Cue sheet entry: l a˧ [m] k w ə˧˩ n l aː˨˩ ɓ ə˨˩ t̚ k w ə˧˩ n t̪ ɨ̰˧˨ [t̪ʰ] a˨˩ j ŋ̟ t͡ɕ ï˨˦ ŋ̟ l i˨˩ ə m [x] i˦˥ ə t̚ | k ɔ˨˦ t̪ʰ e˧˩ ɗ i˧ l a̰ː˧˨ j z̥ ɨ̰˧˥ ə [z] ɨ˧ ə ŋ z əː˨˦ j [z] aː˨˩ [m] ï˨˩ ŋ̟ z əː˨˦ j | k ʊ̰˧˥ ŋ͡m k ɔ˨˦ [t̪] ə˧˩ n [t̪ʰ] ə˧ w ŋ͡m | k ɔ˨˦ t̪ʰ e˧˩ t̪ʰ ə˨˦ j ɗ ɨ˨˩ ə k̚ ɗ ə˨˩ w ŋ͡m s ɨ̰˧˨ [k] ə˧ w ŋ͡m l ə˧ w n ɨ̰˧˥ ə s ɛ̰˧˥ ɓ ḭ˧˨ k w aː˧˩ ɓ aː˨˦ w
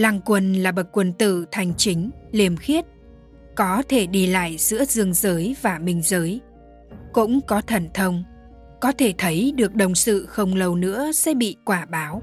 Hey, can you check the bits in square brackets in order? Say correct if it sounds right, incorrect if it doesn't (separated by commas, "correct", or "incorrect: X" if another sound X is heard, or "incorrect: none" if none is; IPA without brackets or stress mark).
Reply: incorrect: ŋ, correct, correct, correct, incorrect: v, correct, incorrect: t̪ʰ, correct, incorrect: x